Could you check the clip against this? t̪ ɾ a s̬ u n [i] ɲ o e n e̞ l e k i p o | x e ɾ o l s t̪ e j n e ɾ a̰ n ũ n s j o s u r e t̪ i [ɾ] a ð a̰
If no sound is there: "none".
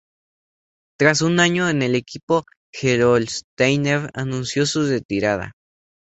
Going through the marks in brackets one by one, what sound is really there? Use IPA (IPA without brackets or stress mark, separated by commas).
a, ɾ